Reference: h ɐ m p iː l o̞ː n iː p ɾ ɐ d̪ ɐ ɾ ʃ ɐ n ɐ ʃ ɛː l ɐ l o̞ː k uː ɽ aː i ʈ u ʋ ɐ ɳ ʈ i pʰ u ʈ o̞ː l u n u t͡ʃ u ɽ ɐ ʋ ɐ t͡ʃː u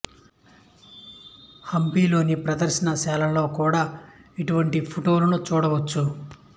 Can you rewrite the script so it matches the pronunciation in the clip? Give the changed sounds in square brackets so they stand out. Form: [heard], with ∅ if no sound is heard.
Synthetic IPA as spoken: h ɐ m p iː l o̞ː n [i] p ɾ ɐ d̪ ɐ ɾ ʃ ɐ n ɐ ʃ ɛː l ɐ l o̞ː k uː ɽ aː i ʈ u ʋ ɐ ɳ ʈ i pʰ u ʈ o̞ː l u n u t͡ʃ [uː] ɽ ɐ ʋ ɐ t͡ʃː u